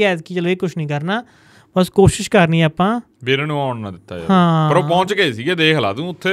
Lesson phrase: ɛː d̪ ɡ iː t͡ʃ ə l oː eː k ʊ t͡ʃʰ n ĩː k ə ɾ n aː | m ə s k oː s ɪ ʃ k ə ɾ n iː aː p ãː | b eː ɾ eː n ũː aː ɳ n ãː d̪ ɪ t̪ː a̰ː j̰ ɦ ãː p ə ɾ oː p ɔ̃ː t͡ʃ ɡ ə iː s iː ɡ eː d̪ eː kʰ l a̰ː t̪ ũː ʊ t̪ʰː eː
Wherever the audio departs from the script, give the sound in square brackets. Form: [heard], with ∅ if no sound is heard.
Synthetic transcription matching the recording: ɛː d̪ [k] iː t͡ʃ ə l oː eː k ʊ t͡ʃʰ n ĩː k ə ɾ n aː | [b] ə s k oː [ʃ] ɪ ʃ k ə ɾ n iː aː p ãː | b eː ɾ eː n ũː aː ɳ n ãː d̪ ɪ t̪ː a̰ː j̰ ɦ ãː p ə ɾ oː p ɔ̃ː t͡ʃ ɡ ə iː s iː ɡ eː d̪ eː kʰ l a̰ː t̪ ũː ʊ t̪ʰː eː